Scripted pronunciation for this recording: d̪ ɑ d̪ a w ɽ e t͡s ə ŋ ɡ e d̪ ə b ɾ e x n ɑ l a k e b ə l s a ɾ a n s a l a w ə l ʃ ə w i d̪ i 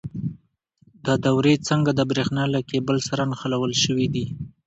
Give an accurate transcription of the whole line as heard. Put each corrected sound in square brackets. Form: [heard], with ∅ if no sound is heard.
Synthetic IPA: d̪ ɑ d̪ a w [ɾ] e t͡s ə ŋ ɡ [a] d̪ ə b ɾ e x n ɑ l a k e b ə l s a ɾ a n [x] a l a w ə l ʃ ə w i d̪ i

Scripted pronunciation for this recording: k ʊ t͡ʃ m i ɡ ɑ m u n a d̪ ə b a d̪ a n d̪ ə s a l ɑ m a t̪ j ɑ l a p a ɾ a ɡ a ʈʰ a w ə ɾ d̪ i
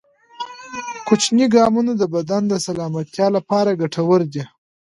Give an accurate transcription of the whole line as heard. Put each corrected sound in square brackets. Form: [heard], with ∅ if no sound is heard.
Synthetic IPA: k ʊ t͡ʃ [n] i ɡ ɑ m u n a d̪ ə b a d̪ a n d̪ ə s a l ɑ m a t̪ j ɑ l a p [ɑ] ɾ a ɡ a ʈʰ a w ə ɾ d̪ i

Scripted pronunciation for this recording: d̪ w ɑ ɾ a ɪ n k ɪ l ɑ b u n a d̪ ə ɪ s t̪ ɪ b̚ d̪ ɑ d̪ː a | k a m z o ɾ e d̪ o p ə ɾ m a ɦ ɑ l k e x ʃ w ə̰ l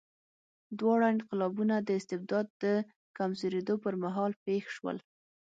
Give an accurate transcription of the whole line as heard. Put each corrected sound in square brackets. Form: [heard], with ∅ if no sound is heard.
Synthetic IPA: d̪ w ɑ [ɽ] a ɪ n [q] ɪ l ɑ b u n a d̪ ə ɪ s t̪ ɪ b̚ d̪ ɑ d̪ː [ə] | k a m z o ɾ e d̪ o p ə ɾ m a ɦ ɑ l [p] e x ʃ w ə̰ l

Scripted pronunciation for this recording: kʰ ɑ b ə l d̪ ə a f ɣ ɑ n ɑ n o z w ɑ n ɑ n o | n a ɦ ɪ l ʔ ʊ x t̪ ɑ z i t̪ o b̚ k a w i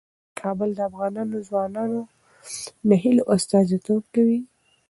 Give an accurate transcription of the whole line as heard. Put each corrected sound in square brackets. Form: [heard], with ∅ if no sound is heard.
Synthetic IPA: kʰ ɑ b ə l d̪ ə a f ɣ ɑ n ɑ n o z w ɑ n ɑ n o | n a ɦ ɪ l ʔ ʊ [s] t̪ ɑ z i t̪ o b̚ k a w i

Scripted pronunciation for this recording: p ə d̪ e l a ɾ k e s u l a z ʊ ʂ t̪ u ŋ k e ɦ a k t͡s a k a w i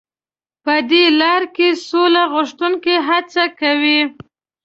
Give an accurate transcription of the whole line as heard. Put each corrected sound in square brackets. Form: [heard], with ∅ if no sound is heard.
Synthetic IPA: p ə d̪ e l [ɑ] ɾ k e s [o] l a [ɣ] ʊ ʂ t̪ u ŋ k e ɦ a [∅] t͡s a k a w i

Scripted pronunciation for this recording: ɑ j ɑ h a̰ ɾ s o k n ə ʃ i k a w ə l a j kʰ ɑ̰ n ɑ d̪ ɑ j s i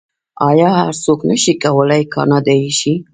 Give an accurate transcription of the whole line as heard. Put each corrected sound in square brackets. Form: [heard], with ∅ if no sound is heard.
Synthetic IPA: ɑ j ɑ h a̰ ɾ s o k n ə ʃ i k a w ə l a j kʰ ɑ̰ n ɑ d̪ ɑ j [ʃ] i

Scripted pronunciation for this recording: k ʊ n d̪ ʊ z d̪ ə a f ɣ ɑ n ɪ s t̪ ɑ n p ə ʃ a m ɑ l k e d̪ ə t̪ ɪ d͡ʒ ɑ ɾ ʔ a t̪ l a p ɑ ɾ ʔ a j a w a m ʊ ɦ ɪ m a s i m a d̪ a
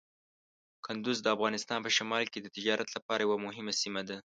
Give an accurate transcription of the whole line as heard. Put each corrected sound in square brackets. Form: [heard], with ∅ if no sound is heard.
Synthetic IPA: k ʊ n d̪ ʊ z d̪ ə a f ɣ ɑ n ɪ s t̪ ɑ n p ə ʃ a m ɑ l k e d̪ ə t̪ ɪ d͡ʒ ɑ ɾ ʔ a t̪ l a p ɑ ɾ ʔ a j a w a m ʊ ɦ ɪ m a s i m a d̪ a

